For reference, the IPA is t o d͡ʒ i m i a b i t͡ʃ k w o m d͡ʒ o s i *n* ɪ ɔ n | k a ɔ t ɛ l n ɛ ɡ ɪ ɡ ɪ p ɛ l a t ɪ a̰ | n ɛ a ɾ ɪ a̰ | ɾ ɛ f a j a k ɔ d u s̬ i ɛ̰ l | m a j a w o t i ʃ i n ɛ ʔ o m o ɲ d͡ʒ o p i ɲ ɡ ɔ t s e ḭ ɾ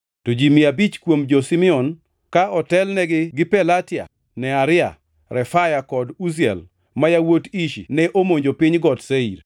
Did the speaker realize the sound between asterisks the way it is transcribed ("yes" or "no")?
no